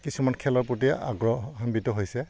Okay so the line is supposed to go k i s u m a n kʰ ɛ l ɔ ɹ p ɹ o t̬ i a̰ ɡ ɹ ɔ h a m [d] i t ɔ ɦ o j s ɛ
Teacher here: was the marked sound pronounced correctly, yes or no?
no